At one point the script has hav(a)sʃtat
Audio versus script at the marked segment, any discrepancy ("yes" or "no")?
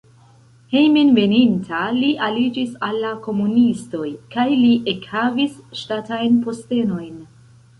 yes